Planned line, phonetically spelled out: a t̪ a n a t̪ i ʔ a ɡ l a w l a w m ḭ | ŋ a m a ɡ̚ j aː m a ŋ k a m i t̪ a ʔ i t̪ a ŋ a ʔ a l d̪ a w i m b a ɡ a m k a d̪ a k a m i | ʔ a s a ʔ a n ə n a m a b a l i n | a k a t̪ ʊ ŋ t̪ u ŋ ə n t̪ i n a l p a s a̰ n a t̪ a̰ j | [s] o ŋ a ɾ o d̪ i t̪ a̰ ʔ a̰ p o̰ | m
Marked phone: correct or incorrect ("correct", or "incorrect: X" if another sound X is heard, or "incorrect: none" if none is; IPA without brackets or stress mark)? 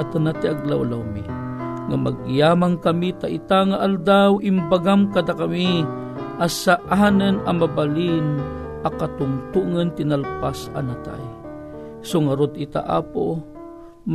correct